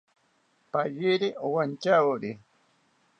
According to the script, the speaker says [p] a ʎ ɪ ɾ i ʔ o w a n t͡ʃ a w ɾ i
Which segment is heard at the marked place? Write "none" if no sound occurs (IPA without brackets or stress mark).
p